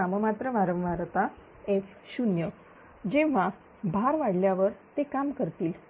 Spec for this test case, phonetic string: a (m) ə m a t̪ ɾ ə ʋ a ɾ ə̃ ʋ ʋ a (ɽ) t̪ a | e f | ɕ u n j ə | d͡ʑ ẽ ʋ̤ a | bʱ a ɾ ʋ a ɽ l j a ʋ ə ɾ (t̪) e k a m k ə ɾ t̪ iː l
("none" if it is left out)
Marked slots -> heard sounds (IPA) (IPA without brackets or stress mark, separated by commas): m, ɾ, t̪